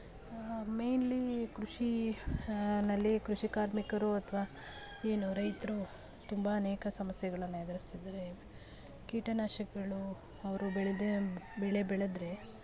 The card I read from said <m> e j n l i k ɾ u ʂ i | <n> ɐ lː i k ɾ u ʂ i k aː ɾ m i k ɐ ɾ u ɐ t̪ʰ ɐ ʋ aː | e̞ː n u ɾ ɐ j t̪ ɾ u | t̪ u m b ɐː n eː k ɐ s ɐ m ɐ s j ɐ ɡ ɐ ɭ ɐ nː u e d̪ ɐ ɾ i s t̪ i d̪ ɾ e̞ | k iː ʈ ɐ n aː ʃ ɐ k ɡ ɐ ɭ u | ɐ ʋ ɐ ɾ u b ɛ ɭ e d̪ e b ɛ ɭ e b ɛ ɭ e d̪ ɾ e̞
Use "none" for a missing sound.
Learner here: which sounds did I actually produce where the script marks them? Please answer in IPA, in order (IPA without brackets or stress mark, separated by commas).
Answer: m, n